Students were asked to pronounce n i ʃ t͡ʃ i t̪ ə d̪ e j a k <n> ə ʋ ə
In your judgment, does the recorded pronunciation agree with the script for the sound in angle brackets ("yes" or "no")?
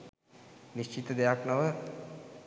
yes